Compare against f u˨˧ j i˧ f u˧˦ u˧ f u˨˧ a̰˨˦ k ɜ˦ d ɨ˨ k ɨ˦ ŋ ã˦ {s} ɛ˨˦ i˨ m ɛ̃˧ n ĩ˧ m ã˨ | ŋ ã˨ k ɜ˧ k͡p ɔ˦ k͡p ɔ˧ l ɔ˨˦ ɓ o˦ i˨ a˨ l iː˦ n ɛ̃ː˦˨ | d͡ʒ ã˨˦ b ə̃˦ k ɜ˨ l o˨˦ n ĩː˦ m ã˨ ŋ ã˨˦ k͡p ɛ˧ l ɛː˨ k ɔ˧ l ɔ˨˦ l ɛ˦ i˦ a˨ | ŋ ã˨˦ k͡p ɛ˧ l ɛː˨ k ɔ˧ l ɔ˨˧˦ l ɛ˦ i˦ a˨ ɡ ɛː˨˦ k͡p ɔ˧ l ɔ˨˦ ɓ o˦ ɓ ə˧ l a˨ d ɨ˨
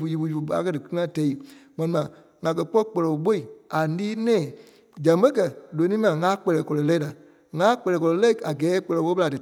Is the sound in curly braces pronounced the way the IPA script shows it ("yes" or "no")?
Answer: no